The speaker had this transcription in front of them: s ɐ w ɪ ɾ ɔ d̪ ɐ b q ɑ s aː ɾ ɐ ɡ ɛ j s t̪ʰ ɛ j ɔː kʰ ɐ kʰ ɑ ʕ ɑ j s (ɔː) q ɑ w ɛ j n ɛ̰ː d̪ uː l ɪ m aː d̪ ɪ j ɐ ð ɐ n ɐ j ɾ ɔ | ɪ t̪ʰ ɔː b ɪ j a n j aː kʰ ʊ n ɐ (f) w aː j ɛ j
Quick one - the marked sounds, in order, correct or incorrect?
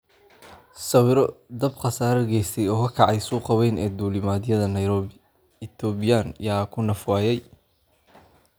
incorrect: uː, correct

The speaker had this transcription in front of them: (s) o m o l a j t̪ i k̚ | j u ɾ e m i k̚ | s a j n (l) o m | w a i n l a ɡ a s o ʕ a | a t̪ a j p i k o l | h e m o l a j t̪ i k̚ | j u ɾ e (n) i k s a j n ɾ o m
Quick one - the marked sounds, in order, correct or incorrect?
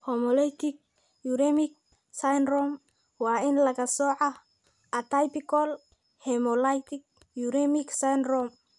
incorrect: h, incorrect: ɾ, incorrect: m

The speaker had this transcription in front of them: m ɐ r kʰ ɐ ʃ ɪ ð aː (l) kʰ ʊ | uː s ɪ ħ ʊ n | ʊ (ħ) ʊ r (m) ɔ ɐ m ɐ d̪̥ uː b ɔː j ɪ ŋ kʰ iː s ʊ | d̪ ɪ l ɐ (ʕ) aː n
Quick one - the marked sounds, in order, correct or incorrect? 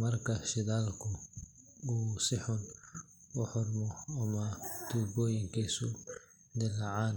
correct, correct, correct, correct

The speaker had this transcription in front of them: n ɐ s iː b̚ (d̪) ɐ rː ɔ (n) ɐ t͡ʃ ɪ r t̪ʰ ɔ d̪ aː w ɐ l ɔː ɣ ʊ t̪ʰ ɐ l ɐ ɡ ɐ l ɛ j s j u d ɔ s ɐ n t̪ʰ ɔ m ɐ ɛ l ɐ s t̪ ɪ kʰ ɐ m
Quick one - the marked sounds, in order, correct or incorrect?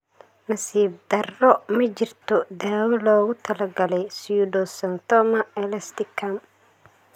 correct, incorrect: m

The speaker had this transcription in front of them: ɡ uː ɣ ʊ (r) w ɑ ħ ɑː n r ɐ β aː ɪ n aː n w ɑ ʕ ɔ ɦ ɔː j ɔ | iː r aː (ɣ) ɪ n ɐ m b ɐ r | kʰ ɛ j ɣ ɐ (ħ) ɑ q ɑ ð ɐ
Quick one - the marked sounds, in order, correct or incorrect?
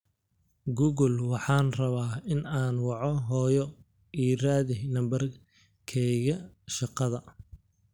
incorrect: l, incorrect: ð, incorrect: ʃ

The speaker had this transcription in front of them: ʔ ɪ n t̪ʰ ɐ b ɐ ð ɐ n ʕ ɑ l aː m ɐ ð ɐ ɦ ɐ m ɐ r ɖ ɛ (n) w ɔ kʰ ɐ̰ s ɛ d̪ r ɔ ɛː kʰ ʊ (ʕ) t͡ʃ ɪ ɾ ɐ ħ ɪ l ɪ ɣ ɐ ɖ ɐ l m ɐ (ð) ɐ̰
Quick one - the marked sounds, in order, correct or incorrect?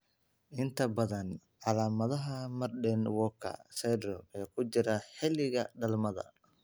correct, incorrect: none, correct

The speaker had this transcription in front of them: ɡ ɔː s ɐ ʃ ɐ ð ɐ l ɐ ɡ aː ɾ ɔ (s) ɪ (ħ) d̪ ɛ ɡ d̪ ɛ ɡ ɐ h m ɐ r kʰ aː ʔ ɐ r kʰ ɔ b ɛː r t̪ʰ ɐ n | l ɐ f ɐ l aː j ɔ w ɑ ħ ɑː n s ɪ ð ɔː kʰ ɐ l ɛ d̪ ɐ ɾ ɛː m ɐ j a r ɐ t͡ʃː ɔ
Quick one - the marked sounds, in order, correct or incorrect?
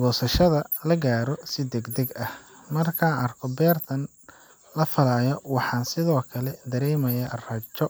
correct, incorrect: none

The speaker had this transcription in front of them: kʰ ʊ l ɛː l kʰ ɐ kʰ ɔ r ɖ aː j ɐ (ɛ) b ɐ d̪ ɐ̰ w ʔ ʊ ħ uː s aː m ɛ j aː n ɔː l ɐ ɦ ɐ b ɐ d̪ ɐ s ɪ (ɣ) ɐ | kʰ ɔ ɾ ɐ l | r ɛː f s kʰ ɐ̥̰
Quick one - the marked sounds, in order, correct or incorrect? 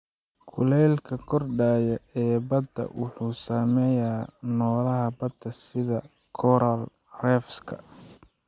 incorrect: ɛː, incorrect: ð

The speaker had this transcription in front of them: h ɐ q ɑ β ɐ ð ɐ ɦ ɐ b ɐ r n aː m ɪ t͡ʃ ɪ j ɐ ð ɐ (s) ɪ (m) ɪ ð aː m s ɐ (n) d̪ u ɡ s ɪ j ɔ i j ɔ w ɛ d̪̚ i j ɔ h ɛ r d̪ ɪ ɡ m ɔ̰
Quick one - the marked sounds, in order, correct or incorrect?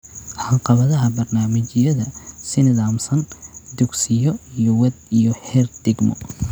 correct, incorrect: n, correct

